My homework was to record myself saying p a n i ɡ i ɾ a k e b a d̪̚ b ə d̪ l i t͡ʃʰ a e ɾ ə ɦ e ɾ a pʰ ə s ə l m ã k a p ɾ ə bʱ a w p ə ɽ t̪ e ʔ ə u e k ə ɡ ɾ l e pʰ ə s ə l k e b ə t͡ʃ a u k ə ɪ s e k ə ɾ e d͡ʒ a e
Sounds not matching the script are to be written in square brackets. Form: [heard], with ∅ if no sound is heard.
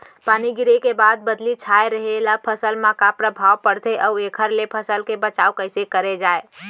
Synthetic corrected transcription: p a n i ɡ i ɾ [e] k e b a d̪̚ b ə d̪ l i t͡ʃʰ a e ɾ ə ɦ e [l] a pʰ ə s ə l m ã k a p ɾ ə bʱ a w p ə ɽ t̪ e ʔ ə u e [kʰ] ə [∅] ɾ l e pʰ ə s ə l k e b ə t͡ʃ a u k ə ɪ s e k ə ɾ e d͡ʒ a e